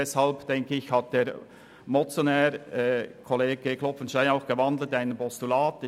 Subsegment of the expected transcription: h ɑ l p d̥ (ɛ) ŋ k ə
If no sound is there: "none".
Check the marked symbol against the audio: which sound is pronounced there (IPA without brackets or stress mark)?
ɛ